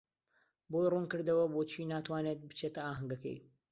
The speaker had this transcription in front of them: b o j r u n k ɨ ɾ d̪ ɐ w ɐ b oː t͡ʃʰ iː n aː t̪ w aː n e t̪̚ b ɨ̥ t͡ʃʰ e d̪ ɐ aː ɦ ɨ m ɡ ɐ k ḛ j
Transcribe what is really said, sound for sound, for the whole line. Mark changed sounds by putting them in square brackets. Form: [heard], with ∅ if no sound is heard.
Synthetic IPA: b o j r u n k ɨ ɾ d̪ ɐ w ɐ b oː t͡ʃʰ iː n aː t̪ w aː n e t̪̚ b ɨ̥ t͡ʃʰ e [t̪] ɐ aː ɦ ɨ [ŋ] ɡ ɐ k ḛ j